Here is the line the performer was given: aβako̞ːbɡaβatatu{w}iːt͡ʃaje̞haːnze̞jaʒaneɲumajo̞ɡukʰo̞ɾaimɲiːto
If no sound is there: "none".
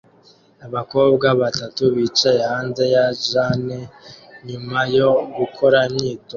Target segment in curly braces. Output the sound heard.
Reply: β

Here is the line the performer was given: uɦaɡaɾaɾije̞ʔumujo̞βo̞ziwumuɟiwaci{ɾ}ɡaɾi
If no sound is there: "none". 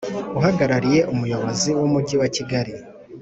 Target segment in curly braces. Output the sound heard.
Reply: none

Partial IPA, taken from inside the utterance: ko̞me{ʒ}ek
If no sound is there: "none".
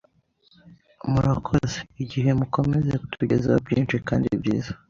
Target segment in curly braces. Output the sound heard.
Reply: z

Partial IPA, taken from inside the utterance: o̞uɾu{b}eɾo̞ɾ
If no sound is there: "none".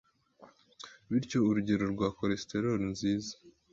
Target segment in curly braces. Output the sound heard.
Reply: ɟ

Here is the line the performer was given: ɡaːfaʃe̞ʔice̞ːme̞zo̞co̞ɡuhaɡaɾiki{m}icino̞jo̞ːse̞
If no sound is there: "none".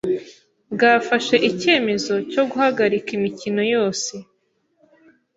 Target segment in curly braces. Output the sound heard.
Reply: m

